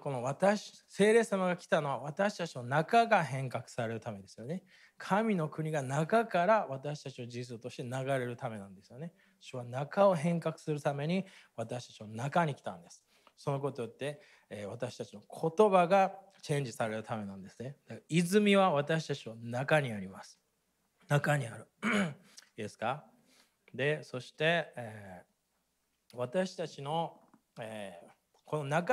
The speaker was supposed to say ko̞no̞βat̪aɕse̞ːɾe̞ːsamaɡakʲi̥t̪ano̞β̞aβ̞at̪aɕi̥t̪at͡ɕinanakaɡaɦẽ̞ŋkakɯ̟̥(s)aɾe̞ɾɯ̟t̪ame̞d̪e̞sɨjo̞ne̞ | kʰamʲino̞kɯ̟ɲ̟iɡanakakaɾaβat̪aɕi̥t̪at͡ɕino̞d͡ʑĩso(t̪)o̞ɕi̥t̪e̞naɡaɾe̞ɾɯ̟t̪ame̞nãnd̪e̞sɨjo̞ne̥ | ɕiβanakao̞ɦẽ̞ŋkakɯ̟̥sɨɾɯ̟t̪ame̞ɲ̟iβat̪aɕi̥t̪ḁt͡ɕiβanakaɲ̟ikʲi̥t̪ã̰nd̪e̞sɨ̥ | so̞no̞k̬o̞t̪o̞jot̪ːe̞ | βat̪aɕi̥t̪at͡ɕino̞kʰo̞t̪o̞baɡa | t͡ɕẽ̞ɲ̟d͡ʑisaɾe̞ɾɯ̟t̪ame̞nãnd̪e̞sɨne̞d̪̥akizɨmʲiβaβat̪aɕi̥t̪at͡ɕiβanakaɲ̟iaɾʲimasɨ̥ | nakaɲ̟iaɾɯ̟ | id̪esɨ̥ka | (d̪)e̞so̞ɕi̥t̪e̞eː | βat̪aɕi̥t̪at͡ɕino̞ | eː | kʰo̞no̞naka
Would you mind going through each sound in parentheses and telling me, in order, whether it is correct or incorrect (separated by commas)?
correct, correct, correct